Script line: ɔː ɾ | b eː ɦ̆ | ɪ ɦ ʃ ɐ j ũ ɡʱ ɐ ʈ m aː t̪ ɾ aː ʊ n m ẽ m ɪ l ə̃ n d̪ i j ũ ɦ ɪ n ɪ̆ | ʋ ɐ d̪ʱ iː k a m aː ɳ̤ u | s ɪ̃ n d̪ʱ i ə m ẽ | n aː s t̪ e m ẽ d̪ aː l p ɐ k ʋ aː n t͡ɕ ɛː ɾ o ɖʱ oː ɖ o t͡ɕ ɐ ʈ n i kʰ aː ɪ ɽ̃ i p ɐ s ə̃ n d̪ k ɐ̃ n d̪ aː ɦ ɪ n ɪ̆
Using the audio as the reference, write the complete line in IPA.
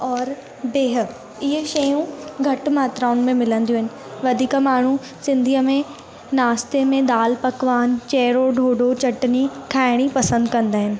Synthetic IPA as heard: ɔː ɾ | b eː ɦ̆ | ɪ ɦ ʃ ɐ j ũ ɡʱ ɐ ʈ m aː t̪ ɾ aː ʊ n m ẽ m ɪ l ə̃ n d̪ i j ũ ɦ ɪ n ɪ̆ | ʋ ɐ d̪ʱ iː k a m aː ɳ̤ u | s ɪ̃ n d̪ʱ i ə m ẽ | n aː s t̪ e m ẽ d̪ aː l p ɐ k ʋ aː n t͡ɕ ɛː ɾ o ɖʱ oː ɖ o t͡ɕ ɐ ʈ n i kʰ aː ɪ ɽ̃ i p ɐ s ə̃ n d̪ k ɐ̃ n d̪ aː ɦ ɪ n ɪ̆